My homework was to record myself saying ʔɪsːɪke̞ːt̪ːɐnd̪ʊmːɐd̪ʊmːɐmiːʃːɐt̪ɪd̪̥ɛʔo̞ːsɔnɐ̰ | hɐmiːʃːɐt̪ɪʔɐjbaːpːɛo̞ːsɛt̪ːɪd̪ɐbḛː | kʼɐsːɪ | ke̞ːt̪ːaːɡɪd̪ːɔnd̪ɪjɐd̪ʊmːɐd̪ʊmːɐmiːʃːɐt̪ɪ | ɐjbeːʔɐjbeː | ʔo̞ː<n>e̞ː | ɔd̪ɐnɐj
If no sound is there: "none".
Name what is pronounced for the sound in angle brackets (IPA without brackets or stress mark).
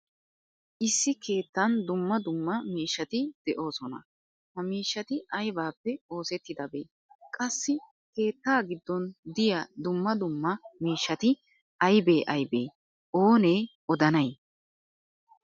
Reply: n